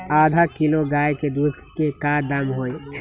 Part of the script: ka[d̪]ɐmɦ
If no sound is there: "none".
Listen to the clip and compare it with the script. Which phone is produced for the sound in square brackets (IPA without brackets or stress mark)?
d̪